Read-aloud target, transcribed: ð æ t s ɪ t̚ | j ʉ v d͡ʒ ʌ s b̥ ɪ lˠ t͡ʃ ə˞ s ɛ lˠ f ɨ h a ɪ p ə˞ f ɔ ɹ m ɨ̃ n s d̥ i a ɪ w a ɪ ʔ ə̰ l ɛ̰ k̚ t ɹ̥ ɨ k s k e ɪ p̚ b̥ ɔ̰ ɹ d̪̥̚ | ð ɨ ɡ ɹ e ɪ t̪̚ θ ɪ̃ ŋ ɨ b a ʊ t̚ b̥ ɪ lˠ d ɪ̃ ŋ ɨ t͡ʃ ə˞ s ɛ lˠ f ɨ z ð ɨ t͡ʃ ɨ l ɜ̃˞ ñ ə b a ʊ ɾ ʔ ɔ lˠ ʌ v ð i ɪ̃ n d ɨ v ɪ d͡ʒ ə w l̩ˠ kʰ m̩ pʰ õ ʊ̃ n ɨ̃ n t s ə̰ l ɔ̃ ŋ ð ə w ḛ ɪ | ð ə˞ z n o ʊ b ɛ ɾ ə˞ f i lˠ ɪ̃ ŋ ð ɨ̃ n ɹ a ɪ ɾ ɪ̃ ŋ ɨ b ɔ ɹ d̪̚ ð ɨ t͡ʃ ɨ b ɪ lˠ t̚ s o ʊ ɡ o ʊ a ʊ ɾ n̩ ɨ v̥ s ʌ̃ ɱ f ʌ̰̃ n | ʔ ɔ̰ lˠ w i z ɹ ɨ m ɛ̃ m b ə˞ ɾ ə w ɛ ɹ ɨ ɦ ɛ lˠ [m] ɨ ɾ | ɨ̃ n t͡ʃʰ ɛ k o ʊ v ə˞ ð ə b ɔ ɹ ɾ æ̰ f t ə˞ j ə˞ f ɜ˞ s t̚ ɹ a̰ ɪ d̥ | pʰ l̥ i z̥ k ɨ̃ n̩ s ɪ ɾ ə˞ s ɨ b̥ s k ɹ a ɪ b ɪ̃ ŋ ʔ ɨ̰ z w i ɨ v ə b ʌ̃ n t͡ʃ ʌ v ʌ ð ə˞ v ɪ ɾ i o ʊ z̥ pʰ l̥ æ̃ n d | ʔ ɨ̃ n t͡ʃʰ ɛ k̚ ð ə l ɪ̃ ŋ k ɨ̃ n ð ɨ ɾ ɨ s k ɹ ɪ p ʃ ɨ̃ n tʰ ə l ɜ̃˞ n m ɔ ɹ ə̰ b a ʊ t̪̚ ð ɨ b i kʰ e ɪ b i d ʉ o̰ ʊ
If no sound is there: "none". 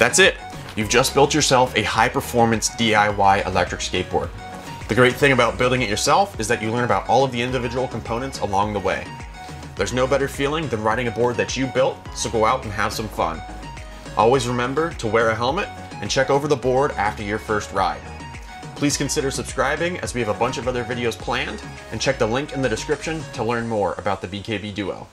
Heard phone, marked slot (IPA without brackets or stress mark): m